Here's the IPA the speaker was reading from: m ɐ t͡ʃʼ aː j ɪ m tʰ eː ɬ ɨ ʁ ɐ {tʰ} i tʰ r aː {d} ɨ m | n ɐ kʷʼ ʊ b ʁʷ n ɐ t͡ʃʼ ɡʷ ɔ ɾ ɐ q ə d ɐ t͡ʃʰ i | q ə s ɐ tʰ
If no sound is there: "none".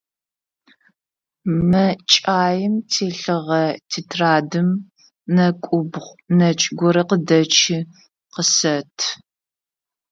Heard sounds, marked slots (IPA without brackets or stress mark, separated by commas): tʰ, d